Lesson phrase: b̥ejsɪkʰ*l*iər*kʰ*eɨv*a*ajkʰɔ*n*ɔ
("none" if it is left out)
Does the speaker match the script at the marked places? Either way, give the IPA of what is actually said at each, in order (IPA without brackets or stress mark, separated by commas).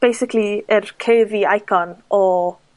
l, kʰ, i, n